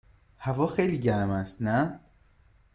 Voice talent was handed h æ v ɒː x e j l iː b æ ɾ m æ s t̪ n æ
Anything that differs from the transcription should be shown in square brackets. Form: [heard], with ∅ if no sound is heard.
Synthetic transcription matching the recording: h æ v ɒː x e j l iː [ɟ] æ ɾ m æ s t̪ n æ